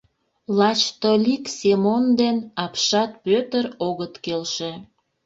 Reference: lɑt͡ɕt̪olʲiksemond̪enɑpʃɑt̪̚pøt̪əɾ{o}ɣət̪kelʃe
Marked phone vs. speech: correct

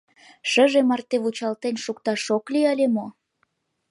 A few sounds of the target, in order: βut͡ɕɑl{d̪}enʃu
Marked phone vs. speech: incorrect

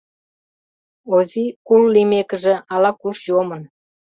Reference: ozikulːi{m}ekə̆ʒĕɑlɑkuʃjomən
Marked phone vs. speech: correct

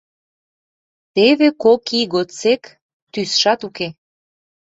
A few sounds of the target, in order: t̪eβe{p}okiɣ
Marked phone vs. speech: incorrect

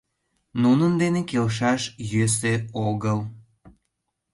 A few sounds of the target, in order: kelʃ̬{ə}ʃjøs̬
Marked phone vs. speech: incorrect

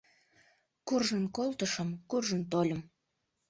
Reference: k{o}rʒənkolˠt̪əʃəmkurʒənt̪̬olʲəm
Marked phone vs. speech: incorrect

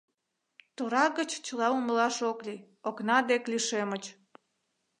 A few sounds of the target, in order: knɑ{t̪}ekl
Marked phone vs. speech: incorrect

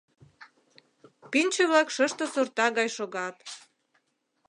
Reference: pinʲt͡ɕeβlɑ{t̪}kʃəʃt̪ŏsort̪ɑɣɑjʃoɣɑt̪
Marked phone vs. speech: incorrect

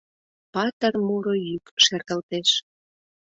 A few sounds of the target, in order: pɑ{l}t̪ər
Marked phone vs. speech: incorrect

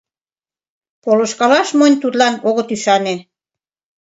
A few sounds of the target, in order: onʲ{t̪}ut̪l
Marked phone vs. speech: correct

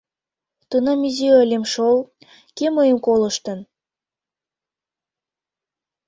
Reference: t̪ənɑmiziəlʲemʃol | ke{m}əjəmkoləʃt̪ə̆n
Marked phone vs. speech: correct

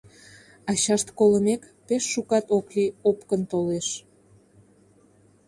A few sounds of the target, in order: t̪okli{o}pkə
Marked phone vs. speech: correct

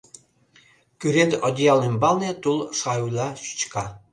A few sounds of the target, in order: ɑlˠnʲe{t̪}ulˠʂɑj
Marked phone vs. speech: correct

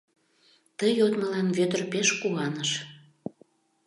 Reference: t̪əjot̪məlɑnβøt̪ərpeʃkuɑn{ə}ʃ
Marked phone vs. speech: correct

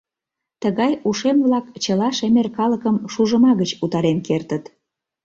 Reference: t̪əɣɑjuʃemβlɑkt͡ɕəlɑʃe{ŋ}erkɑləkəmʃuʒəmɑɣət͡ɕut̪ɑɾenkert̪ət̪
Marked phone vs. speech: incorrect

